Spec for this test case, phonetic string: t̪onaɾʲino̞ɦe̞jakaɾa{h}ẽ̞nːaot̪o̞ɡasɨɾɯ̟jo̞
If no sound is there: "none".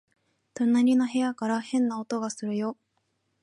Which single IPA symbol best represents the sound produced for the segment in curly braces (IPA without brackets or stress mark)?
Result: h